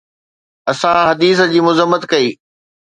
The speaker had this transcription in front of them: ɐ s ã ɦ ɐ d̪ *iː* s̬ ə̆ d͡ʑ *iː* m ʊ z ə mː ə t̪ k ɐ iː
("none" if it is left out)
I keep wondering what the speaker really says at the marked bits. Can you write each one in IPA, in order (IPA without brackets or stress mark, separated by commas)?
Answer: iː, iː